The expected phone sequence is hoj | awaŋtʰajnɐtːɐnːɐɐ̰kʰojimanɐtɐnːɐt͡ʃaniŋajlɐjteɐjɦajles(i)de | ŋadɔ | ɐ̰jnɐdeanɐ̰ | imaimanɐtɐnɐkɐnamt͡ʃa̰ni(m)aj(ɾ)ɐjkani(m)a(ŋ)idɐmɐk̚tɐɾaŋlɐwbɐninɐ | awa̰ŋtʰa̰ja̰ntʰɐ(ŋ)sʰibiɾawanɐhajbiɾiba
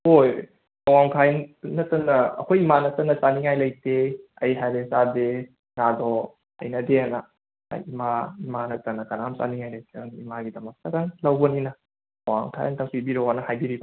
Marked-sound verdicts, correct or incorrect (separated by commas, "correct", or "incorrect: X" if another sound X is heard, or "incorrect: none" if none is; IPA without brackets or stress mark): incorrect: a, incorrect: ŋ, incorrect: l, correct, incorrect: ɡ, correct